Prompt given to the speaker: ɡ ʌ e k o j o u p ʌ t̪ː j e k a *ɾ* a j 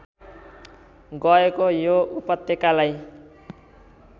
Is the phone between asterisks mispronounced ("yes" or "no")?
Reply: yes